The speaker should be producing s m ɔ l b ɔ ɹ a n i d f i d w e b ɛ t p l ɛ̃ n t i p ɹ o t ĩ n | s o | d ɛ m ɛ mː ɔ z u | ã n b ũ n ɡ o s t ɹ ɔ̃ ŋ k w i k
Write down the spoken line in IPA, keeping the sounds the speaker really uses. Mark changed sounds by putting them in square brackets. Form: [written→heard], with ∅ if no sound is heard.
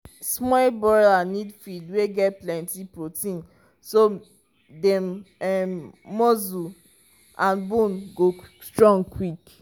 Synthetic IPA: s m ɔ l b ɔ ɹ a n i d f i d w e [b→ɡ] ɛ t p l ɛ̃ n t i p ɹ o t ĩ n | s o | d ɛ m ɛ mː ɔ z u | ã n b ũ n ɡ o s t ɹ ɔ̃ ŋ k w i k